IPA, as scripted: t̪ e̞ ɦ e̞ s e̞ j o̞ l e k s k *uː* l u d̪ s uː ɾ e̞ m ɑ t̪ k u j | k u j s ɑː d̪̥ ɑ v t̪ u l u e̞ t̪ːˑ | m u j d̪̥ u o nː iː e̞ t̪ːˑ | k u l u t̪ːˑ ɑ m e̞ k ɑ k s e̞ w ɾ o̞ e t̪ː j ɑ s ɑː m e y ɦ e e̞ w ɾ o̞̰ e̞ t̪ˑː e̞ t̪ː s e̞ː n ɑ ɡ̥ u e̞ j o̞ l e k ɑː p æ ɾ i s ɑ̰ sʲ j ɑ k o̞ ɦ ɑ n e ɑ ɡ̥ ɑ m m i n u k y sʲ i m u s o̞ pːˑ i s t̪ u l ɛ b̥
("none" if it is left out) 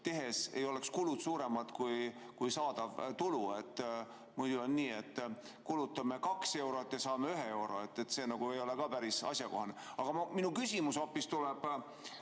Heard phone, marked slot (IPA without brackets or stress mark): u